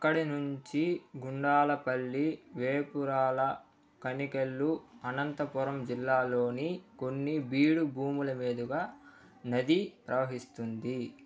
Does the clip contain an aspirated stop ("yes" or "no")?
no